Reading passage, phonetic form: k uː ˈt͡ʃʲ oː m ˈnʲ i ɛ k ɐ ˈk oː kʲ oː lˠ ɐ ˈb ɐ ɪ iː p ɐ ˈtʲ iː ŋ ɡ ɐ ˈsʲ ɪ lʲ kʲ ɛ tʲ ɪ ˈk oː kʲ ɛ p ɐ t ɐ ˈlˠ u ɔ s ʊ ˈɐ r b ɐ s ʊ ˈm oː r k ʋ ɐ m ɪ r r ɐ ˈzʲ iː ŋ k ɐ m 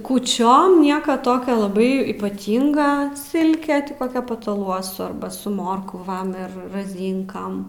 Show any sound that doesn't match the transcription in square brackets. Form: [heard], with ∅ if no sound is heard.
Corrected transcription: k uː ˈt͡ʃʲ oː m ˈnʲ i ɛ k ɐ [ˈt] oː kʲ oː lˠ ɐ ˈb ɐ ɪ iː p ɐ ˈtʲ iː ŋ ɡ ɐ ˈsʲ ɪ lʲ kʲ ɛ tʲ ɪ ˈk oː kʲ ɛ p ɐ t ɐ ˈlˠ u ɔ s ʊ ˈɐ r b ɐ s ʊ ˈm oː r k ʋ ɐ m ɪ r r ɐ ˈzʲ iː ŋ k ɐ m